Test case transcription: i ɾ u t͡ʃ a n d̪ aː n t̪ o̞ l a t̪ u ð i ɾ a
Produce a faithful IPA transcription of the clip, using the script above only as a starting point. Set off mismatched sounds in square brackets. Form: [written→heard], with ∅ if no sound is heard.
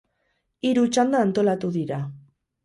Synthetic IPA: i ɾ u t͡ʃ a n d̪ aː n t̪ o̞ l a t̪ u ð i ɾ a